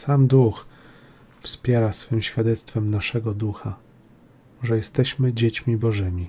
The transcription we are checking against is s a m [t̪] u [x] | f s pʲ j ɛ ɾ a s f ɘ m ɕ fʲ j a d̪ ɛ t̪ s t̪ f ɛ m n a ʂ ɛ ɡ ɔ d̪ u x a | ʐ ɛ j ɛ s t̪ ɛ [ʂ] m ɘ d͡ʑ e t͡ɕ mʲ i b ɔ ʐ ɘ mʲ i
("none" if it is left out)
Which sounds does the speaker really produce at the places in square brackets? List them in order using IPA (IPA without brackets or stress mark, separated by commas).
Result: d̪, x, ɕ